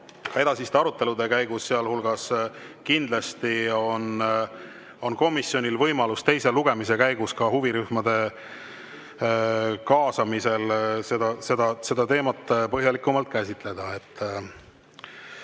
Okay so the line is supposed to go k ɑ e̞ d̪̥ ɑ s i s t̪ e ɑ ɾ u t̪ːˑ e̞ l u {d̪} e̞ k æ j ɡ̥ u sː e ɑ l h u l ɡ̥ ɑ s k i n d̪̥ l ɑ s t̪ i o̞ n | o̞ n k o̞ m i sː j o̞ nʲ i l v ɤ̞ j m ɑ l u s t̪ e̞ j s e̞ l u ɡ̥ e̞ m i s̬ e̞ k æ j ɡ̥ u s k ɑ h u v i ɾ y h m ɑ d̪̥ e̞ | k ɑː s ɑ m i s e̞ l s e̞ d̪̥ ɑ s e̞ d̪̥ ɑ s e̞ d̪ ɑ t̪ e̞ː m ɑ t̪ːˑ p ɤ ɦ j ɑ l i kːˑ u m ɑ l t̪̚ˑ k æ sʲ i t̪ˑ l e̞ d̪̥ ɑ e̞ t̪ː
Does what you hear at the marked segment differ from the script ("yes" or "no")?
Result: no